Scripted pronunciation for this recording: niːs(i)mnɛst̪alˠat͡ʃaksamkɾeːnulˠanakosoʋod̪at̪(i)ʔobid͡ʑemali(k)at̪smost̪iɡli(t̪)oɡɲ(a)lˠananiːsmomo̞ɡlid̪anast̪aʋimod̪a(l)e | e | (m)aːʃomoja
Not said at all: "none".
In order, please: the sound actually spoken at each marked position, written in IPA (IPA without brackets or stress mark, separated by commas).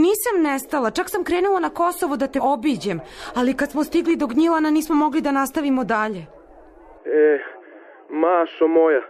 a, e, k, d̪, i, ʎ, m